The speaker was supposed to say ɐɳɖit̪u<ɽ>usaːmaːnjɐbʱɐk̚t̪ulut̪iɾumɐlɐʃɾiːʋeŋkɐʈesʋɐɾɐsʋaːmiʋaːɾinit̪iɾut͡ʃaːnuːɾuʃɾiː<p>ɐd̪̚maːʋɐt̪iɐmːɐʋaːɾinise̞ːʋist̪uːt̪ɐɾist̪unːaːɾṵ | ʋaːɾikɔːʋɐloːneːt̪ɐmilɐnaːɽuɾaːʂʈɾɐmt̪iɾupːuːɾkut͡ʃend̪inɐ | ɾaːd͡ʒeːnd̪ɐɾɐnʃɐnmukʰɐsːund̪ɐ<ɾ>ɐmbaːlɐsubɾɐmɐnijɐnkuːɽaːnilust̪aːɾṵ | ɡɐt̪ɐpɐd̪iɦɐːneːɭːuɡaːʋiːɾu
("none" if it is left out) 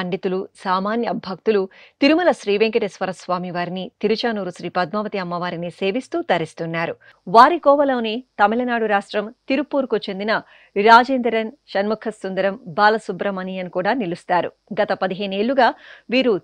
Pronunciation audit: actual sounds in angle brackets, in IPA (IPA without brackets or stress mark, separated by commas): l, p, ɾ